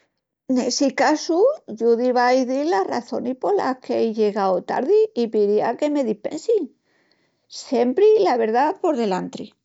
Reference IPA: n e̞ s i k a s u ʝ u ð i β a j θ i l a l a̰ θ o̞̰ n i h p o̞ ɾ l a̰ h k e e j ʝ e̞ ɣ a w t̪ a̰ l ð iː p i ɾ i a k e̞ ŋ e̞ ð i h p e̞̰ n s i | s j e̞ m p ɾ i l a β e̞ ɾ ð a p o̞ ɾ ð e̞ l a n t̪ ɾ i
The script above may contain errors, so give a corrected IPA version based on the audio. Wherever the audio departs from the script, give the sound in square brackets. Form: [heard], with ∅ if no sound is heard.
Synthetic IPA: n e̞ s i k a s u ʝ u ð i β a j [ð] i l a [r] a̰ θ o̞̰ n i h p o̞ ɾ l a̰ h k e e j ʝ e̞ ɣ a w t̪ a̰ [ɾ] ð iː p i ɾ i a k e̞ [m] e̞ ð i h p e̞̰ n s i | s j e̞ m p ɾ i l a β e̞ ɾ ð a p o̞ ɾ ð e̞ l a n t̪ ɾ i

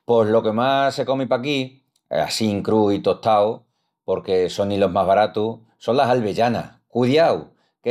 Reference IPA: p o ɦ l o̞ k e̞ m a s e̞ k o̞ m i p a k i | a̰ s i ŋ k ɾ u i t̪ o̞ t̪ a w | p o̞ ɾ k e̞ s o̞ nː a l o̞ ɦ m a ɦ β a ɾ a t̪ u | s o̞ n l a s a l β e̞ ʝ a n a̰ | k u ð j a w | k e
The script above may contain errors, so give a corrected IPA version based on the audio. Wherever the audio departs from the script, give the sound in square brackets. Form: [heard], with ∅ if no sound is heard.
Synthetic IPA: p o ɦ l o̞ k e̞ m a s e̞ k o̞ m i p a k i | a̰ s i ŋ k ɾ u i t̪ o̞ t̪ a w | p o̞ ɾ k e̞ s o̞ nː [i] l o̞ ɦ m a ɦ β a ɾ a t̪ u | s o̞ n l a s a l β e̞ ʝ a n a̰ | k u ð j a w | k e

